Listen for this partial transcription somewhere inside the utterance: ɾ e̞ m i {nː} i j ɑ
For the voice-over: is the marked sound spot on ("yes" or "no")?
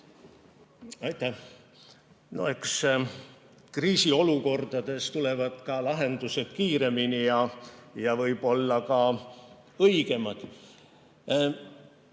no